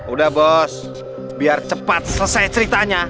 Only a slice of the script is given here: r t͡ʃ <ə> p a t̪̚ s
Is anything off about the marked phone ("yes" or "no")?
no